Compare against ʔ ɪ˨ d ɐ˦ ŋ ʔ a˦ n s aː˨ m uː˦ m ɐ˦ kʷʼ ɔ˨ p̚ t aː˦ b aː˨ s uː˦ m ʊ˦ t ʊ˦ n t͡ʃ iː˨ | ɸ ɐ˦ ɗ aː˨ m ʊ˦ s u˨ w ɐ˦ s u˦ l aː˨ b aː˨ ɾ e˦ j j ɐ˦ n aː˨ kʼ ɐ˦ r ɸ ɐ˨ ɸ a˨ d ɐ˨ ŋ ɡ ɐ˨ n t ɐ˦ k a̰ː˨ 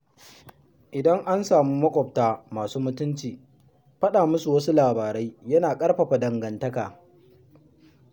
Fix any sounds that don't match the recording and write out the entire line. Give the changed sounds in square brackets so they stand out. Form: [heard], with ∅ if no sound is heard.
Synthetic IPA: ʔ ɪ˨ d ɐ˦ ŋ ʔ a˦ n s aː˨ m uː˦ m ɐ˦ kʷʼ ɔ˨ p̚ t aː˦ [m] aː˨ s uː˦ m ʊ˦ t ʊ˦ n t͡ʃ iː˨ | ɸ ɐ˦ ɗ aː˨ m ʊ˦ s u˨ w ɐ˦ s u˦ l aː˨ b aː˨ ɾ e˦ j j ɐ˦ n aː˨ kʼ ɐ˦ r ɸ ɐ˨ ɸ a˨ d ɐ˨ ŋ ɡ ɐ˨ n t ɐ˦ k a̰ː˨